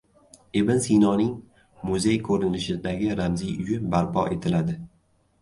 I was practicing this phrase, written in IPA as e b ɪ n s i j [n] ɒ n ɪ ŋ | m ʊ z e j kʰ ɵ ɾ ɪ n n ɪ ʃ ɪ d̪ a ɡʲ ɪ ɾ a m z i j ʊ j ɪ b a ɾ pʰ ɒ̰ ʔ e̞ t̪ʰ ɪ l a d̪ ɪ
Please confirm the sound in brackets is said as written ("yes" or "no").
yes